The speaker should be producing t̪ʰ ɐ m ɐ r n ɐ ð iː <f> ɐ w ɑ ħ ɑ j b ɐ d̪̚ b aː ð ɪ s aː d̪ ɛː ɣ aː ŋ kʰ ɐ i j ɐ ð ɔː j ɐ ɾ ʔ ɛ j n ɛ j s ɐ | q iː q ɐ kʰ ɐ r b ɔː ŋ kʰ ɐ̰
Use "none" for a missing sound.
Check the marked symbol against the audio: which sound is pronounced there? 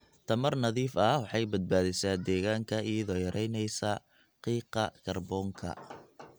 f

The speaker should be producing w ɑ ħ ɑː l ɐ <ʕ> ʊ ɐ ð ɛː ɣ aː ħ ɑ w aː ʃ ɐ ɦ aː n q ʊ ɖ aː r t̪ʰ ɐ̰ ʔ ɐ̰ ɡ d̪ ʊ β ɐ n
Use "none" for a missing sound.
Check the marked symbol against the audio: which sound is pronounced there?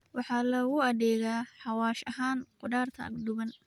ɣ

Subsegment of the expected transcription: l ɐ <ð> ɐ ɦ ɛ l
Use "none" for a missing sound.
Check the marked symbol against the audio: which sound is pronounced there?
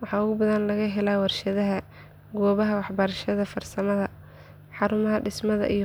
ɣ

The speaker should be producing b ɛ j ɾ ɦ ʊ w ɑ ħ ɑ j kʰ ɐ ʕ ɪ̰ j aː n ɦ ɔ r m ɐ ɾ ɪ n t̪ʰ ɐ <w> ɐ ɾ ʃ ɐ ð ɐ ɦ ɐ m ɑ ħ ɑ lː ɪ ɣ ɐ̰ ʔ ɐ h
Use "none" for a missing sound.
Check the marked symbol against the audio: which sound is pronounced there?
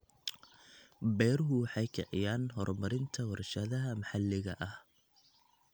w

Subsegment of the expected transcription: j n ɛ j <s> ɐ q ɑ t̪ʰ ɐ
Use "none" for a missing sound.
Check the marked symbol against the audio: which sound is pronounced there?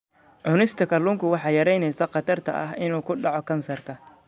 s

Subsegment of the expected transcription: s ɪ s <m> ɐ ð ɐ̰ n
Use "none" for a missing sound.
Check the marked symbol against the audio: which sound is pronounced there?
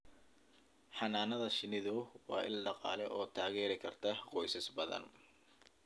b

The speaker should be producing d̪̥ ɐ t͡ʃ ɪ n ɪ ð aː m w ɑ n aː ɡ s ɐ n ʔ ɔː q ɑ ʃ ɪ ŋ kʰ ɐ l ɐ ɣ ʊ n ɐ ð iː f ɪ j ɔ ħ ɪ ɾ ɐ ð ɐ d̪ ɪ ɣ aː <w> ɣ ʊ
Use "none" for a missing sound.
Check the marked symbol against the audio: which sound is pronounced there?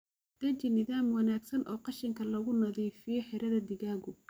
none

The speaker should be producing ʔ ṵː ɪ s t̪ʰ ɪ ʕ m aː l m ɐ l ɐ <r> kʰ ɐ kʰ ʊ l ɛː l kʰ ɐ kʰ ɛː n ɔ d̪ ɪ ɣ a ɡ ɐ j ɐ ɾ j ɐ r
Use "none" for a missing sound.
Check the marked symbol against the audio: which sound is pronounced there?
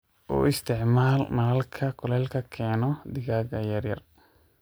l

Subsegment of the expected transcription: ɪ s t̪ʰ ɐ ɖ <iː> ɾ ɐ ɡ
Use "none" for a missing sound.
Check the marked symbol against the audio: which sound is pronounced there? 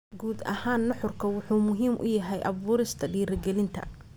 iː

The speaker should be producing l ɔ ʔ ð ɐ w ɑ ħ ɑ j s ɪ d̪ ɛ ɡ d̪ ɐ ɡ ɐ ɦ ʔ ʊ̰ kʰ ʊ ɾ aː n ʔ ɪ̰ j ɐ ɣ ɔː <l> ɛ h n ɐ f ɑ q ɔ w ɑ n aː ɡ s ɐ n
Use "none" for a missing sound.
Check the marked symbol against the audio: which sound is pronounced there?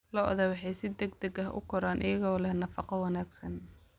l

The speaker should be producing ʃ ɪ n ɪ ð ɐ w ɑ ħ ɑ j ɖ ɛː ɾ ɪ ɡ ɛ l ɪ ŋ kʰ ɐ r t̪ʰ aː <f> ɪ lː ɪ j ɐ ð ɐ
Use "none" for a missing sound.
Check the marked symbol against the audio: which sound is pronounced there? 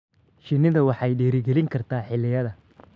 ħ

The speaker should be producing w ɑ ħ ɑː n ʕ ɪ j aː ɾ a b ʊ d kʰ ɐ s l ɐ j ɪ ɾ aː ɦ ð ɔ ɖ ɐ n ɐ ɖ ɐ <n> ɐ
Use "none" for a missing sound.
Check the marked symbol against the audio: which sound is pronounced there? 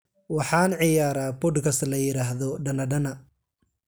n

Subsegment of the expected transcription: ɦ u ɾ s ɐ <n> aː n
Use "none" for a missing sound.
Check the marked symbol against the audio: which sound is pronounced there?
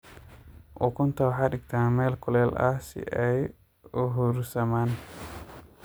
m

